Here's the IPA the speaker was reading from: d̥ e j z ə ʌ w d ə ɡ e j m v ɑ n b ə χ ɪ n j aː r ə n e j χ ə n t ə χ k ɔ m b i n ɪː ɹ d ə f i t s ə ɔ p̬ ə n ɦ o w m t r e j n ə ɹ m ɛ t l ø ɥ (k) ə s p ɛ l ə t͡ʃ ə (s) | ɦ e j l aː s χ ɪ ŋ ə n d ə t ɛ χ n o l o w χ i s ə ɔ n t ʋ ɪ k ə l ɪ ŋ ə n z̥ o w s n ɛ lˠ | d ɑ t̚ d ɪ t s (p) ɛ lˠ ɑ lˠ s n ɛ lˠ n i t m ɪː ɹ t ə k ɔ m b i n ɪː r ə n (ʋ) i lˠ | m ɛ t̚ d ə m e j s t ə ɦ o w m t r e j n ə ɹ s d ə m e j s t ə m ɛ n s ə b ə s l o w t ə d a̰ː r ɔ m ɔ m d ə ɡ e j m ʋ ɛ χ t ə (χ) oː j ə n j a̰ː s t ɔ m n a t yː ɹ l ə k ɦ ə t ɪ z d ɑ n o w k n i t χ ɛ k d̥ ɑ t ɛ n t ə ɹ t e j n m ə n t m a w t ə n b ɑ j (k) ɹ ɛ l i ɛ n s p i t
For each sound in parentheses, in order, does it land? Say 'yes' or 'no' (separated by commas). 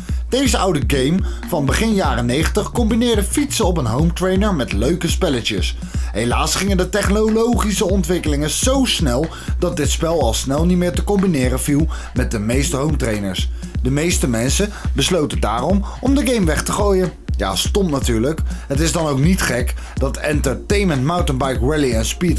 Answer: yes, yes, yes, no, yes, yes